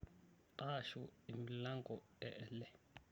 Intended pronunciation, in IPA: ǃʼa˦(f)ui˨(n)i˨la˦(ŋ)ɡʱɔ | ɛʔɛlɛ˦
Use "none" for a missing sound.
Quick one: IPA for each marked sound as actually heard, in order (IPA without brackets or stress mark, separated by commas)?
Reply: ʃ, m, ŋ